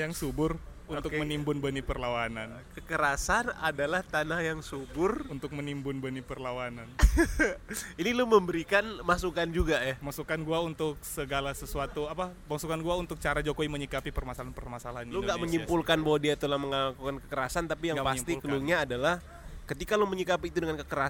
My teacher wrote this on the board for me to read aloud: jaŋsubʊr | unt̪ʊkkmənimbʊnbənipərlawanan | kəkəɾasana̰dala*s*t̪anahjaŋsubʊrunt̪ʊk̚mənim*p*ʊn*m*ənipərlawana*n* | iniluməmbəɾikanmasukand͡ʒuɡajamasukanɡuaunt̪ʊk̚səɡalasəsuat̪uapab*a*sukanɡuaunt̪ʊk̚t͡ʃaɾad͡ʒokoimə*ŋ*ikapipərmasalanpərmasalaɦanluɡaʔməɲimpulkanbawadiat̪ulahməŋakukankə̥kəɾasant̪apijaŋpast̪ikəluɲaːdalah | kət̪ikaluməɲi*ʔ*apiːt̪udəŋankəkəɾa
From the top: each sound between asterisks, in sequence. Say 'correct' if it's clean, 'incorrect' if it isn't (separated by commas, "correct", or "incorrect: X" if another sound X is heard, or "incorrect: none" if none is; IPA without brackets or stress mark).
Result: incorrect: h, incorrect: b, incorrect: b, correct, correct, incorrect: ɲ, incorrect: k